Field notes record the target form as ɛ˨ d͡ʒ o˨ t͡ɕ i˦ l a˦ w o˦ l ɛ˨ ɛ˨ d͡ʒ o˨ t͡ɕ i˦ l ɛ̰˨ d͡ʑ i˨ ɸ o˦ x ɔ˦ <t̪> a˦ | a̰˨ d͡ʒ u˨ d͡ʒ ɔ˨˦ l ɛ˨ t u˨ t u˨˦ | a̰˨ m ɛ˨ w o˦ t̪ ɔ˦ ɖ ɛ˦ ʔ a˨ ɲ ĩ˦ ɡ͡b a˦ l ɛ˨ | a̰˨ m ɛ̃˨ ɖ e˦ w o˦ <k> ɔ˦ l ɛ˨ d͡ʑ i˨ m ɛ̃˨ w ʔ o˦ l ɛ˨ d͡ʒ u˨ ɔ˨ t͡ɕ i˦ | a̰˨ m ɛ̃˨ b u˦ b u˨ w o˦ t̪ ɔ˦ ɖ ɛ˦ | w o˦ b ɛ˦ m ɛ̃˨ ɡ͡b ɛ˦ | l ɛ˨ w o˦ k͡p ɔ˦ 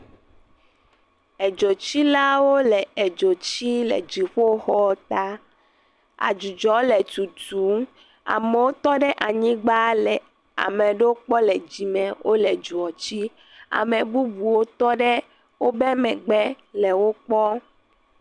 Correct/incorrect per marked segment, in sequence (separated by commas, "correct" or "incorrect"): correct, incorrect